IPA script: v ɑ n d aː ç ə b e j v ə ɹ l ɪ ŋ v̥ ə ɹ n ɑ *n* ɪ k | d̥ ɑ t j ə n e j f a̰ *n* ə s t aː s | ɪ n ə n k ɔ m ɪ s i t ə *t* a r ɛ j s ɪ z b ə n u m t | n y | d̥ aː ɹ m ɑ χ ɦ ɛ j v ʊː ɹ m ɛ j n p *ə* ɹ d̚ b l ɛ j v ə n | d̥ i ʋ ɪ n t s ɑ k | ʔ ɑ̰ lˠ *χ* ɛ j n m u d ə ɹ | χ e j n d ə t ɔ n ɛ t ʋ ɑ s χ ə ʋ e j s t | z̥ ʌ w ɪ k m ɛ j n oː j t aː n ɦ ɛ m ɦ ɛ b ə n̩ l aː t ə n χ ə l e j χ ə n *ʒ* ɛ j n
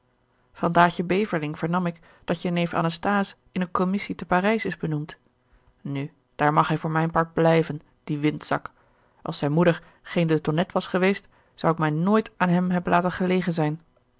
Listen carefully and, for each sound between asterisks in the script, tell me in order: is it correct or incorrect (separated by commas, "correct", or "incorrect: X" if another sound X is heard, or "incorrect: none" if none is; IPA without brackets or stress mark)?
incorrect: m, correct, incorrect: p, incorrect: ɑ, incorrect: s, incorrect: z